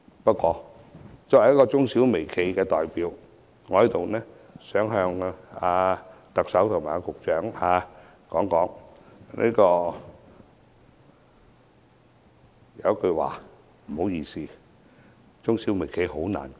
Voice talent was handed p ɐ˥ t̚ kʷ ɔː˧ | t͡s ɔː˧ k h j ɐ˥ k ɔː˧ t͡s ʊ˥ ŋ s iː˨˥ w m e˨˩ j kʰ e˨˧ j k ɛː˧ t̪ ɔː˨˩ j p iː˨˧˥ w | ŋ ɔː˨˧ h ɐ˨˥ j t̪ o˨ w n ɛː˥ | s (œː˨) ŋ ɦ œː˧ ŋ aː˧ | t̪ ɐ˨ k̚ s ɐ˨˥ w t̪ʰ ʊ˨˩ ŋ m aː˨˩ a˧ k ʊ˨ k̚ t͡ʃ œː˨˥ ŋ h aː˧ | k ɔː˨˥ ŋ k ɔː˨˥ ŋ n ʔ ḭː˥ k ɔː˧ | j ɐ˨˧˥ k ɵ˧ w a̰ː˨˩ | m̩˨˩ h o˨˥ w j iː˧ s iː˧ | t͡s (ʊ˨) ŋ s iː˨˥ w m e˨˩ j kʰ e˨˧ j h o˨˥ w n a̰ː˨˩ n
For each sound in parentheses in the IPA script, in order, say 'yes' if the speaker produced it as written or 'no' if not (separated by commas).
no, no